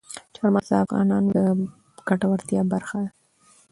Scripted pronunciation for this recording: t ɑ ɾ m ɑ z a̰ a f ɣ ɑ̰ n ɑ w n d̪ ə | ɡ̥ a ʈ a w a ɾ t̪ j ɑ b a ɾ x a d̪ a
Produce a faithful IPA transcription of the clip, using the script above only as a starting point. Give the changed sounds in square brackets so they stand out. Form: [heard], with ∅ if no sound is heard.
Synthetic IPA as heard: [t͡ʃ] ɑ ɾ m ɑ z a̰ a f ɣ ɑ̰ n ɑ [∅] n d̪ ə | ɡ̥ a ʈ a w a ɾ t̪ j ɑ b a ɾ x a d̪ a